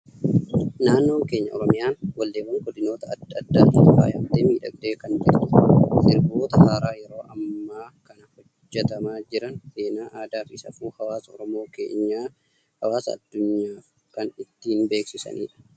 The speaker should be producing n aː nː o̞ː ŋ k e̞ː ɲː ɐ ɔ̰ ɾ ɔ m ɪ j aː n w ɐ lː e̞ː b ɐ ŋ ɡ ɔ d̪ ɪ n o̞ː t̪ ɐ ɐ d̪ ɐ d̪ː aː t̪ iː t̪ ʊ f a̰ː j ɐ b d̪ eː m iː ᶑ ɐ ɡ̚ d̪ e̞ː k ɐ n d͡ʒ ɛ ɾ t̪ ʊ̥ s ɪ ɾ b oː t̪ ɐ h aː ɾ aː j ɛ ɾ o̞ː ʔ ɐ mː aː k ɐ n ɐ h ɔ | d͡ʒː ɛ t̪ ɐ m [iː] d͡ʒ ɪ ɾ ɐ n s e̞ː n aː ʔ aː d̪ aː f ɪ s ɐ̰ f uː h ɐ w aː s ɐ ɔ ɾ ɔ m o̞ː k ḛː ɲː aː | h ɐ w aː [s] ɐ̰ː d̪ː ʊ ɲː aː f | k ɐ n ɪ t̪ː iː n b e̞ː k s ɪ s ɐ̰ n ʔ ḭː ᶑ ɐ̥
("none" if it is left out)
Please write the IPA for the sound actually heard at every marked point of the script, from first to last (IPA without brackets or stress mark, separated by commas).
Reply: aː, s